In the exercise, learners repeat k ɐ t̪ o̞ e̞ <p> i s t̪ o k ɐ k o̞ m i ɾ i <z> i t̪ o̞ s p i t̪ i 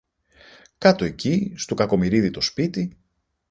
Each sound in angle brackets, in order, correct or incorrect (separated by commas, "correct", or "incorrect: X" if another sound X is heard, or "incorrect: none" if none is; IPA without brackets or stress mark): incorrect: c, incorrect: ð